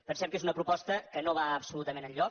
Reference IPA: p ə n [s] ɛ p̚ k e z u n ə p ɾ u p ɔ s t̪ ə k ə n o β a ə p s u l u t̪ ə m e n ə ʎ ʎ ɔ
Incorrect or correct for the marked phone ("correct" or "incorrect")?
correct